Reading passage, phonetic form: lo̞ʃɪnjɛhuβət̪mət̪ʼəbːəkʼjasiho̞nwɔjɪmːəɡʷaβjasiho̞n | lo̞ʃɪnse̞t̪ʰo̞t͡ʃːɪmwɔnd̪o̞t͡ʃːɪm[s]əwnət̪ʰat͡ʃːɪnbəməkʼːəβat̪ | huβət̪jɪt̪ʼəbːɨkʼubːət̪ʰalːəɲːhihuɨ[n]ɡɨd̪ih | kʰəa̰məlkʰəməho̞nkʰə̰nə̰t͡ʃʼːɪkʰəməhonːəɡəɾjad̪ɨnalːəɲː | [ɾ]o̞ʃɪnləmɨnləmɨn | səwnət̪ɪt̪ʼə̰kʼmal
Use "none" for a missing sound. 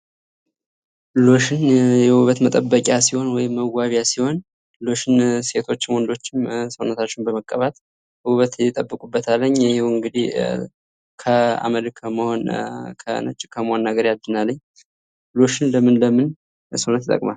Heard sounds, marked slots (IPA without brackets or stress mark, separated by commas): s, ŋ, l